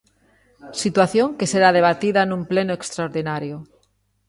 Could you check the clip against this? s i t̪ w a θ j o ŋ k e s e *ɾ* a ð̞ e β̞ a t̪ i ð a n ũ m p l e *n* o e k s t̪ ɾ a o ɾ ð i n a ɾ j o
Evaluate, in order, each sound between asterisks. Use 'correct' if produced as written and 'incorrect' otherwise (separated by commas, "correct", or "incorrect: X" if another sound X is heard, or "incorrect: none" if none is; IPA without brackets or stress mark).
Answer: correct, correct